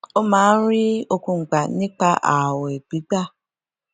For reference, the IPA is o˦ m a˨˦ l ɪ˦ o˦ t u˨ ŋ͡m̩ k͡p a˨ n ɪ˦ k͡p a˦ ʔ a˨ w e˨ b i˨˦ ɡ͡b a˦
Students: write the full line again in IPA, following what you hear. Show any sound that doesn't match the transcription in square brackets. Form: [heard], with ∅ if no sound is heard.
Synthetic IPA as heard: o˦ m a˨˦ [ɾ] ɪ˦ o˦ [k] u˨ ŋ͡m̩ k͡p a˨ n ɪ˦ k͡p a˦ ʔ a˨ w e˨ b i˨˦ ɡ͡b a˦